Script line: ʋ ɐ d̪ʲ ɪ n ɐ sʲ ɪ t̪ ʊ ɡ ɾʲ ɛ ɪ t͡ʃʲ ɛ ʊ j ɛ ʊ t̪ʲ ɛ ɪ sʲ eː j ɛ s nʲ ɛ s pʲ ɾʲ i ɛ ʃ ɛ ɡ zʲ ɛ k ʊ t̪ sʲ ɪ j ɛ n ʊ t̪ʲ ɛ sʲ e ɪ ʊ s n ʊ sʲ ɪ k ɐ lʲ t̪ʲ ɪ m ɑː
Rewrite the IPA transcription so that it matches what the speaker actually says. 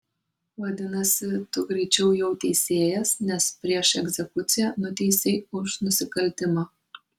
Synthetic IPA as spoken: ʋ ɐ d̪ʲ ɪ n ɐ sʲ ɪ t̪ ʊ ɡ ɾʲ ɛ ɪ t͡ʃʲ ɛ ʊ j ɛ ʊ t̪ʲ ɛ ɪ sʲ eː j ɛ s nʲ ɛ s pʲ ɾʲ i ɛ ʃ ɛ ɡ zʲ ɛ k ʊ t̪ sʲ ɪ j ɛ n ʊ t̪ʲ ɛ sʲ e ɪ ʊ ʃ n ʊ sʲ ɪ k ɐ lʲ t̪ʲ ɪ m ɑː